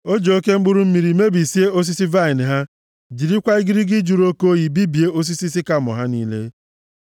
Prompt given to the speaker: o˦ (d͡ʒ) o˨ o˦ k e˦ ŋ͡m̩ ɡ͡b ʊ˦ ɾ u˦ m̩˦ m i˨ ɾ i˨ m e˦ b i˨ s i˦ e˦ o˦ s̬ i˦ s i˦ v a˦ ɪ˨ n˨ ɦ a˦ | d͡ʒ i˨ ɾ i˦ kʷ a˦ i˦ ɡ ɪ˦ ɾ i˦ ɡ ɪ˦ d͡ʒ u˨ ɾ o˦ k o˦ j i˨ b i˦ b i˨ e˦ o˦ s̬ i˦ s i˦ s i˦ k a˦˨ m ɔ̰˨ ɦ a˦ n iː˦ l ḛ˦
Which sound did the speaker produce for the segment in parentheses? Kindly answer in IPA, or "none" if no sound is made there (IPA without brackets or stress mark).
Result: d͡ʒ